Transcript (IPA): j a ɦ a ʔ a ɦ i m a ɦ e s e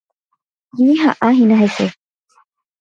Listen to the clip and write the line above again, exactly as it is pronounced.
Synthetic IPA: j i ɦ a ʔ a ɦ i n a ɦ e s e